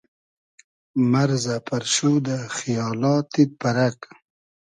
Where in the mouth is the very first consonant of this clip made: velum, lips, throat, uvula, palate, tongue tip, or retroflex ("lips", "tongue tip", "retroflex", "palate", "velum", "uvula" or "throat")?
lips